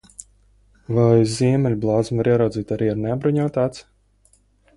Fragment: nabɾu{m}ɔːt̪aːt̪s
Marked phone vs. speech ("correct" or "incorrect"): incorrect